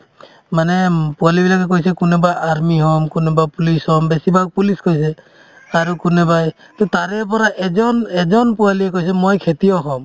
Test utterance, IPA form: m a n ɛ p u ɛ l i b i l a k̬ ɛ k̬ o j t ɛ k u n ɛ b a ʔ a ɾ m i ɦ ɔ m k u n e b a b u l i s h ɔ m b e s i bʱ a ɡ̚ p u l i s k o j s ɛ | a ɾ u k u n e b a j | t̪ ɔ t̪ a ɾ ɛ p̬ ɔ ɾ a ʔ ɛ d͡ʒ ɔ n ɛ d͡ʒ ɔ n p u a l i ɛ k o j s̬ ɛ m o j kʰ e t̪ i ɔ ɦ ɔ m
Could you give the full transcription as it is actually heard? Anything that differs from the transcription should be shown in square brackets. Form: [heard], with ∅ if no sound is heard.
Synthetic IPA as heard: m a n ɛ p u [a] l i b i l a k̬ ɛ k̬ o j [s] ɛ k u n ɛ b a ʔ a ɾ m i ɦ ɔ m k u n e b a [p] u l i s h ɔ m b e s i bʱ a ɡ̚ p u l i s k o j s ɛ | a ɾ u k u n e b a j | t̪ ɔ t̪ a ɾ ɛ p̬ ɔ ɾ a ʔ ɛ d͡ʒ ɔ n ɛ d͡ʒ ɔ n p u a l i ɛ k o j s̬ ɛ m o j kʰ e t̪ i ɔ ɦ ɔ m